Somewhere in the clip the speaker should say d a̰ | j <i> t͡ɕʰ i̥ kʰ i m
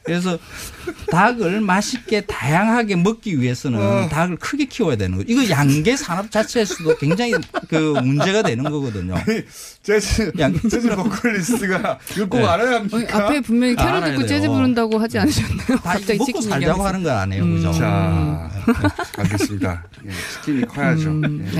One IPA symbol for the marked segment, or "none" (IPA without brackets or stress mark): e